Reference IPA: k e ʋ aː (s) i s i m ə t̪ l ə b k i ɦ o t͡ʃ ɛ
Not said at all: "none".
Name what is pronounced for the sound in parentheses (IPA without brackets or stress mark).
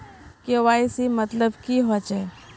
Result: none